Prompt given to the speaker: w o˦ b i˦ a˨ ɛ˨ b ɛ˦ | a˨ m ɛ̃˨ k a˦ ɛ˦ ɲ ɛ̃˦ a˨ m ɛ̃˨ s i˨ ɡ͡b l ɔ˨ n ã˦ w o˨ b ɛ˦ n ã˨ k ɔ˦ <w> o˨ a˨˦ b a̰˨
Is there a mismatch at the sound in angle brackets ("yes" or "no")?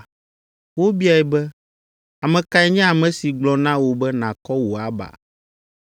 no